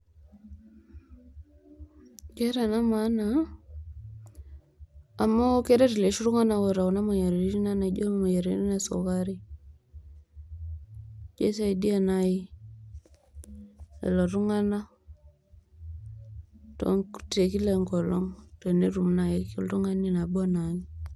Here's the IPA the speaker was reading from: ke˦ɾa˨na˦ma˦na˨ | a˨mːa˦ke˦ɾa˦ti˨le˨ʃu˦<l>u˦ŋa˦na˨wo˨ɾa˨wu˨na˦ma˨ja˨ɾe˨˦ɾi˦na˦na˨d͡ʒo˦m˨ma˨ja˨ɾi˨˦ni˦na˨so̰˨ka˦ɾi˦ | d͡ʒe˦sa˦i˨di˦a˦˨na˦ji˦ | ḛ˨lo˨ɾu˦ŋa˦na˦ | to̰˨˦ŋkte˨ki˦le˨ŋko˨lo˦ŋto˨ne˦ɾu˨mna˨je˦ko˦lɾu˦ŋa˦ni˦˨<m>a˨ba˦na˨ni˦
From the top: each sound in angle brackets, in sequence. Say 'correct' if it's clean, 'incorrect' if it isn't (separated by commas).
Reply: incorrect, incorrect